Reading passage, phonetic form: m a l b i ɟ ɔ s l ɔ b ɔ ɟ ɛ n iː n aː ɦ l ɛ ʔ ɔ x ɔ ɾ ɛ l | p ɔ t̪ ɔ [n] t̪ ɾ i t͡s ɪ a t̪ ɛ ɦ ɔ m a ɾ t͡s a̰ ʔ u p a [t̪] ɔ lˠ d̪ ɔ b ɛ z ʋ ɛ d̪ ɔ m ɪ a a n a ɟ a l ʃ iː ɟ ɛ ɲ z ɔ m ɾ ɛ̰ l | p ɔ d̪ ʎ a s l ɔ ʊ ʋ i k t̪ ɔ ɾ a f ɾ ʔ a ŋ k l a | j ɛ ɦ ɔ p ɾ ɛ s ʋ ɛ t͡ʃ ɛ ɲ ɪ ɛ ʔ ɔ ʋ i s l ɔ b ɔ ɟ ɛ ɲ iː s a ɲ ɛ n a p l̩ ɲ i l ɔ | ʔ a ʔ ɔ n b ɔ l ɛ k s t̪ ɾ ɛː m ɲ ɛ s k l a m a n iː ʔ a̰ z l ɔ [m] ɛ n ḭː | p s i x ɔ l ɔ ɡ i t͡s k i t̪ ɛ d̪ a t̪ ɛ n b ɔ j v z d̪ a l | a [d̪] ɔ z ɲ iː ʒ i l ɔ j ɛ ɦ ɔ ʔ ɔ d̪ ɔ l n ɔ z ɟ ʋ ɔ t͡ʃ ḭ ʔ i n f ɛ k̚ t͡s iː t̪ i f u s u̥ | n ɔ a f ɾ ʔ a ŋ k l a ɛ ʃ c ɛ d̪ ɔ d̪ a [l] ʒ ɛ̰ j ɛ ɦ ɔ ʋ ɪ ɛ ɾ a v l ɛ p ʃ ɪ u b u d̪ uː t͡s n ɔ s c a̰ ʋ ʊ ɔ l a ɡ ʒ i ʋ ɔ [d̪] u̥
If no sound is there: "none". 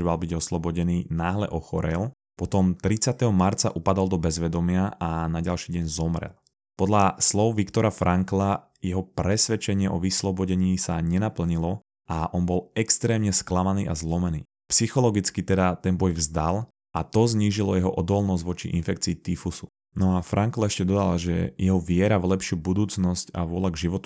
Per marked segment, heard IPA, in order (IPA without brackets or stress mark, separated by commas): m, d̪, m, t̪, l, t̪